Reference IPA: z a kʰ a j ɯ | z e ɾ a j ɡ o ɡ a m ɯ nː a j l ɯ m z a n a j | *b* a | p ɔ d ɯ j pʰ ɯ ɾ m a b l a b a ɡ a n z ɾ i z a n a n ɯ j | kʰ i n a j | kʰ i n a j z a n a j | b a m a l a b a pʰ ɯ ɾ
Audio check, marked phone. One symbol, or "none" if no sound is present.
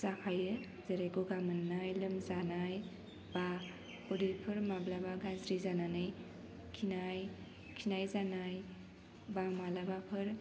b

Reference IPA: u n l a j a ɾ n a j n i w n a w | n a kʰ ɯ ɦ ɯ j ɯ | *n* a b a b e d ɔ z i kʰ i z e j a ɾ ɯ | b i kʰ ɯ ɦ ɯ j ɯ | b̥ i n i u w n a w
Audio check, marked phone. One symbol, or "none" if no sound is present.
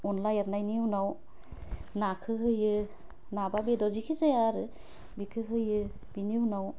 n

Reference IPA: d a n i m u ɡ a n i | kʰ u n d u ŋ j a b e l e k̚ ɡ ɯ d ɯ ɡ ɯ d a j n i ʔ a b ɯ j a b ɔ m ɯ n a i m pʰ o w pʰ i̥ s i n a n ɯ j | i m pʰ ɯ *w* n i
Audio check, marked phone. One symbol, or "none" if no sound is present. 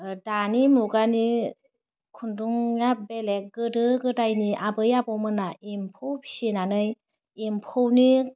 w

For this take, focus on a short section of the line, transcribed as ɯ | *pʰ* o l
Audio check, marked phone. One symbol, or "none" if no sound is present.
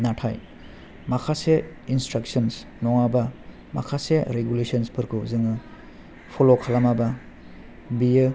pʰ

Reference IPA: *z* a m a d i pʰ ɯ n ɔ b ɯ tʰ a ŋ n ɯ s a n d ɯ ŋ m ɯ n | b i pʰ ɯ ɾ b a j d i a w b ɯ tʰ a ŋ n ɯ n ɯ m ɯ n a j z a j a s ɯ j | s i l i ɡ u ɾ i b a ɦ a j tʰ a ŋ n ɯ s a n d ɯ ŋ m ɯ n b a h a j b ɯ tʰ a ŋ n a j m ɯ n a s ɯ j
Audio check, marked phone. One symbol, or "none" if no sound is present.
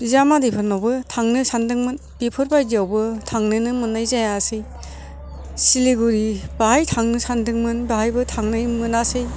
z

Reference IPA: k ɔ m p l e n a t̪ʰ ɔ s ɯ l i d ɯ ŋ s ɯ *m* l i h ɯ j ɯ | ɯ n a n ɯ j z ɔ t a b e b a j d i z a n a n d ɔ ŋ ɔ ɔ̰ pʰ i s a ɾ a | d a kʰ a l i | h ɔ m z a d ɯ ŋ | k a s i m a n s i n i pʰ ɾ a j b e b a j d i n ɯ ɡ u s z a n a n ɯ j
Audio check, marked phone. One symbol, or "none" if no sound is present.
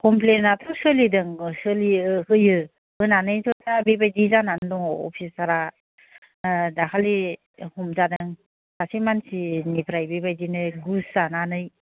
none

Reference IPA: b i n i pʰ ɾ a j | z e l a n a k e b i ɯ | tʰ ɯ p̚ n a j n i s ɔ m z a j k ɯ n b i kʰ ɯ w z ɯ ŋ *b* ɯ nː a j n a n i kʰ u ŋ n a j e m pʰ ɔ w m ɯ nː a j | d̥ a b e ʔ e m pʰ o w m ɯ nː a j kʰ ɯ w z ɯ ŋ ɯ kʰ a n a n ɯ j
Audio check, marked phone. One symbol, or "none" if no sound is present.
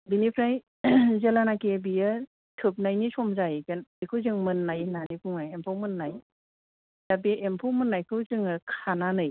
m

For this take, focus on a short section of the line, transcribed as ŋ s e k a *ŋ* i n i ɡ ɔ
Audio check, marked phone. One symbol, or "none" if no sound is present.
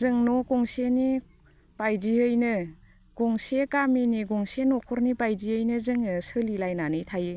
m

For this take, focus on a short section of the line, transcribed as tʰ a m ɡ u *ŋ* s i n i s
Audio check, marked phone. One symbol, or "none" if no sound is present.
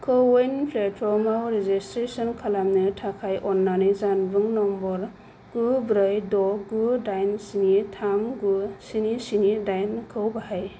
none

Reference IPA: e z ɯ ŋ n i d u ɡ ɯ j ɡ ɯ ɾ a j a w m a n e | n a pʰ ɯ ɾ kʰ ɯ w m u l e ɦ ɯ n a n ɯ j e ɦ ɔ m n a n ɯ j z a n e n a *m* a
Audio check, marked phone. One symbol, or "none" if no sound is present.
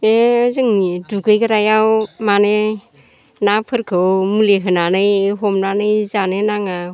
ŋ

